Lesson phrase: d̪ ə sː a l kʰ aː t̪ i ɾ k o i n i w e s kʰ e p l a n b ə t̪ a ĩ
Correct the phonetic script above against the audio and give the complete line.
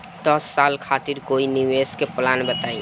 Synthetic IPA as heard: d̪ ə sː a l kʰ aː t̪ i ɾ k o i n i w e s k e p l a n b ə t̪ a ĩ